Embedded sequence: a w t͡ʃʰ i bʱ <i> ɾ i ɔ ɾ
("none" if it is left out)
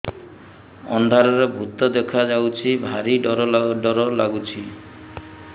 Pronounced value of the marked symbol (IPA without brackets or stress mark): a